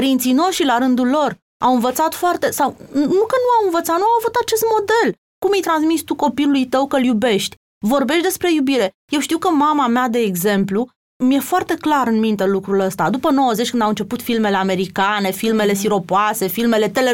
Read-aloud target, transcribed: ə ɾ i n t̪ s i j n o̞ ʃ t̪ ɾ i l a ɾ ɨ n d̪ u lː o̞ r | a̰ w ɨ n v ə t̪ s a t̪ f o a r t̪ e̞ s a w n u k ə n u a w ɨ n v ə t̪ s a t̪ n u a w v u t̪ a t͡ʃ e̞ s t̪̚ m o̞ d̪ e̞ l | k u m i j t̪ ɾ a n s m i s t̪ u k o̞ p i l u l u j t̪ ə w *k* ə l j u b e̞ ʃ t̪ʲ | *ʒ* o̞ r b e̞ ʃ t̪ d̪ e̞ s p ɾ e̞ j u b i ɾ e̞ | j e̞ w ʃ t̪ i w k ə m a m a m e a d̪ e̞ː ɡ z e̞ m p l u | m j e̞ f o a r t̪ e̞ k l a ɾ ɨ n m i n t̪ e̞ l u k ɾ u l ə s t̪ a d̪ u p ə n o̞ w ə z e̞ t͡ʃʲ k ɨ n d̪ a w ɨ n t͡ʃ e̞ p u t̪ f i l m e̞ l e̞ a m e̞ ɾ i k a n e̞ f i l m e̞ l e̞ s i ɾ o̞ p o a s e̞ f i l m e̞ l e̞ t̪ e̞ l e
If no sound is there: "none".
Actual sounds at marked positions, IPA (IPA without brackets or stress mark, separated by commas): k, v